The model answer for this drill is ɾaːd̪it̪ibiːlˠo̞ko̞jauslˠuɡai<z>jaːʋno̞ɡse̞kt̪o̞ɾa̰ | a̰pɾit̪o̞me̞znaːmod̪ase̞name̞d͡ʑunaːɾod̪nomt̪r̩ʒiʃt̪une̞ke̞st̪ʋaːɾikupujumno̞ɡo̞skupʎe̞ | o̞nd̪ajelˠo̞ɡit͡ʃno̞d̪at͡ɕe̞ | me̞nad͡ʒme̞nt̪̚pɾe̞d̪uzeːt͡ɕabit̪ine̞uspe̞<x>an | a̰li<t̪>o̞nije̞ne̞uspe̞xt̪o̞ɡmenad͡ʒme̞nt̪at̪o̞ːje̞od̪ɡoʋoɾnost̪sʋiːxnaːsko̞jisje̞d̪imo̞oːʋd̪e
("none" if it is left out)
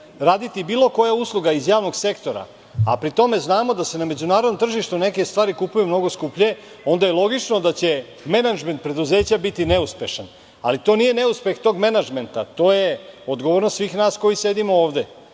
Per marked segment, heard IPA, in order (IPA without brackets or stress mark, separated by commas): z, ʃ, t̪